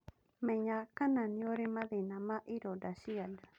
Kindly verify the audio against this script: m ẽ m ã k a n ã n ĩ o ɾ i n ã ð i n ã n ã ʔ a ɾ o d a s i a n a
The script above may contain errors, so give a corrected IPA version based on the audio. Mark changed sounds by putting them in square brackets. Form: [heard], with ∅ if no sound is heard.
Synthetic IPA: m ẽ [ɲ] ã k a n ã n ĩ o ɾ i [m] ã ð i n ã [m] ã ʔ [i] ɾ o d a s i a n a

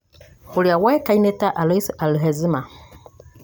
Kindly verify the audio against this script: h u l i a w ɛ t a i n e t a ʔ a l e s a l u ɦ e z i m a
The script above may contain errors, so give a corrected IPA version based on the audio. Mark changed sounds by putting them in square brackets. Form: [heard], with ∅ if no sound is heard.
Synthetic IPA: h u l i a w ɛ [k] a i n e t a ʔ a l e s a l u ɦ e z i m a

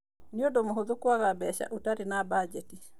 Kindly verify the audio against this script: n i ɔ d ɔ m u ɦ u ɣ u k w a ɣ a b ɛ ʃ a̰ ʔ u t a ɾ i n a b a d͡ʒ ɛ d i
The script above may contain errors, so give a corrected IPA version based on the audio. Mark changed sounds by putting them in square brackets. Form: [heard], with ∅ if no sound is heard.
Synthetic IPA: n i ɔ d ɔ m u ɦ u [ð] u k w a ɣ a b ɛ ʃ a̰ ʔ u t a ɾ i n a b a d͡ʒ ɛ [t] i

